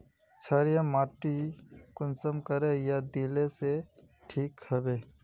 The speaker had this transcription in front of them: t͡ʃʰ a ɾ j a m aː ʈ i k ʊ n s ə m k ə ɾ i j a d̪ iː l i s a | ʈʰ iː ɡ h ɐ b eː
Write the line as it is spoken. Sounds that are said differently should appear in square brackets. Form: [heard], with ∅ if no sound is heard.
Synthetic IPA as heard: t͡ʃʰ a ɾ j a m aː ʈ i k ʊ n s ə m k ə ɾ [e] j a d̪ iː l [e] s [e] | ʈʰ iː [k] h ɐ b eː